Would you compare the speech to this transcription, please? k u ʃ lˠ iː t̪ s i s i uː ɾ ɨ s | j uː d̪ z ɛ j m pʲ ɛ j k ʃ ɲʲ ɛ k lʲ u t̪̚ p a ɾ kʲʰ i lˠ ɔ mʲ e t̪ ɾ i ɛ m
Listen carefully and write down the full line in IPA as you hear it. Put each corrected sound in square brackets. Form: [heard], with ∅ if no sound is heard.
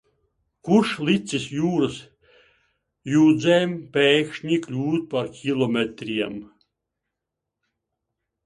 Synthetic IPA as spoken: k u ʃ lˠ [i] t̪ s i s [j] uː ɾ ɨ s | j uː d̪ z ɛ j m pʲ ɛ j k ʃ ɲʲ [i] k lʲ [uː] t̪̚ p a ɾ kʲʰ i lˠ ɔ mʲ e t̪ ɾ i ɛ m